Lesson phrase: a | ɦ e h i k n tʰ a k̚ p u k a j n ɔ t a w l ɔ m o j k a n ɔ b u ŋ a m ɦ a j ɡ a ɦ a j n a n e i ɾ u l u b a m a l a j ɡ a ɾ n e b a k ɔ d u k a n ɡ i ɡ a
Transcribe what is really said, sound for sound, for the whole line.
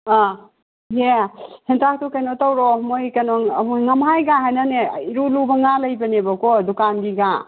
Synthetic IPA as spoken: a | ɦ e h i n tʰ a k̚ t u k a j n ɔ t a w ɾ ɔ m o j k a n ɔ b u ŋ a m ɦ a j ɡ a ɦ a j n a n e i ɾ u l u b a ŋ a l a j b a n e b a k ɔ d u k a n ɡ i ɡ a